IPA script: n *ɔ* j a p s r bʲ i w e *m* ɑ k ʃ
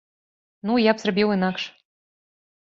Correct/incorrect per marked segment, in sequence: incorrect, incorrect

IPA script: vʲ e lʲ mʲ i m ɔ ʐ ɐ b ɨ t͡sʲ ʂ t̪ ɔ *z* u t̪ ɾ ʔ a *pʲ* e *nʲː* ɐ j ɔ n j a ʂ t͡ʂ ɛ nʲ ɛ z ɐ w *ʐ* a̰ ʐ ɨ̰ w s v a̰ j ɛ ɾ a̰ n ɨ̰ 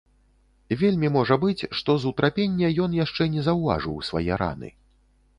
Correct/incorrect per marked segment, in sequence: correct, correct, correct, incorrect

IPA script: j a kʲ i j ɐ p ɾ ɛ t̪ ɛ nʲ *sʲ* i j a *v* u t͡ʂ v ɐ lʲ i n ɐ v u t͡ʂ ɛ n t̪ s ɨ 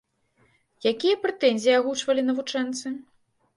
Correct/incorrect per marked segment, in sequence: incorrect, incorrect

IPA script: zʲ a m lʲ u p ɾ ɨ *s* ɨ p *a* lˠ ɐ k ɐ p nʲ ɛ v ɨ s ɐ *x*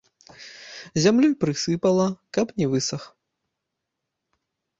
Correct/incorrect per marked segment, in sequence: correct, incorrect, correct

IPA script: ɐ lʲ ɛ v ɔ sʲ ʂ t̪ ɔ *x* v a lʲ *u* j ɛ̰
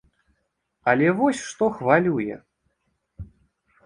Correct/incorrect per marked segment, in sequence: correct, correct

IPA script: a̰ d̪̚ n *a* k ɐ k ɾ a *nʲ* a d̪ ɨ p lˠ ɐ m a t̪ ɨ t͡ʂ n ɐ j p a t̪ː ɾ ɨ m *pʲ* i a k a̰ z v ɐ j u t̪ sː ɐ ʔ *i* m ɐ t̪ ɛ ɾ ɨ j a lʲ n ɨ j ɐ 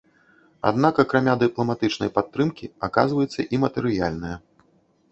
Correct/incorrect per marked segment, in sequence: correct, incorrect, incorrect, correct

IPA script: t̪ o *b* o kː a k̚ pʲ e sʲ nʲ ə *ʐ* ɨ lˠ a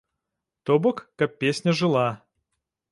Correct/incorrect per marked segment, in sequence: correct, correct

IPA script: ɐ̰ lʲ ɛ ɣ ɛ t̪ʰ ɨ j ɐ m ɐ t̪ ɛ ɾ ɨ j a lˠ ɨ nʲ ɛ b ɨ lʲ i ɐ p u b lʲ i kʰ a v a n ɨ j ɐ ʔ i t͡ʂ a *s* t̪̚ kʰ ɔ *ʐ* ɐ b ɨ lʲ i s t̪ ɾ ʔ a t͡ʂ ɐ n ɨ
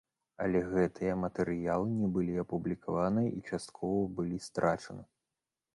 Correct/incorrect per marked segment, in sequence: correct, incorrect

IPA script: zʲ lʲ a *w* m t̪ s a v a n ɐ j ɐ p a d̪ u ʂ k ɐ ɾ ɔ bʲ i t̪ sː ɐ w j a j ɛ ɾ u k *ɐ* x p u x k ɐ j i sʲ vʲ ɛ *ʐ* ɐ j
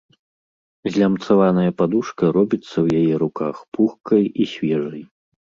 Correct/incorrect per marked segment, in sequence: incorrect, incorrect, correct

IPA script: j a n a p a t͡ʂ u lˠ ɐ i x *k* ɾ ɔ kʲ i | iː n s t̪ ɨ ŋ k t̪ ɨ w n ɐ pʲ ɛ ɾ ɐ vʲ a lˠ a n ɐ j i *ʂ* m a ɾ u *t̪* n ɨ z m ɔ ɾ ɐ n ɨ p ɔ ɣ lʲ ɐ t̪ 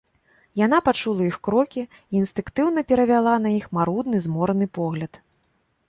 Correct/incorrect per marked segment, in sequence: correct, incorrect, incorrect

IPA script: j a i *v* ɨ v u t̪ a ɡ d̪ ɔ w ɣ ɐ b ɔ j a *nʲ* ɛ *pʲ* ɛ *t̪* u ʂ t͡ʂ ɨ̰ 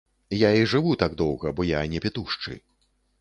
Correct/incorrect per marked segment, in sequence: incorrect, correct, correct, correct

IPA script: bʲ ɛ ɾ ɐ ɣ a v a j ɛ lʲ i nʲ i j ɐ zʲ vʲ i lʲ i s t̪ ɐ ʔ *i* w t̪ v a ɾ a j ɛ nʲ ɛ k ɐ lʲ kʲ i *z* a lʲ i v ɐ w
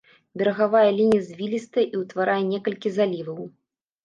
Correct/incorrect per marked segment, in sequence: correct, correct

